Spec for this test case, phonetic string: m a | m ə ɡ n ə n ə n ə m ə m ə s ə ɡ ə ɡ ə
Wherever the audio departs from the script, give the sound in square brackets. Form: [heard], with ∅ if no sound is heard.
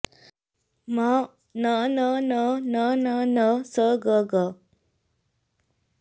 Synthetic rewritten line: m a | [n] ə [∅] n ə n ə n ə [n] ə [n] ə s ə ɡ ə ɡ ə